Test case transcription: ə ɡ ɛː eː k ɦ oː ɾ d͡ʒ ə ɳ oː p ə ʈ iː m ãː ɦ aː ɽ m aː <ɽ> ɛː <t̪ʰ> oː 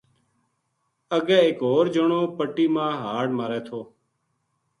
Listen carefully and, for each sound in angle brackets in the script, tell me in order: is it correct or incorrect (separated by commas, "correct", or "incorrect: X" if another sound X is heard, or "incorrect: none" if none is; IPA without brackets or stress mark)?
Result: incorrect: ɾ, correct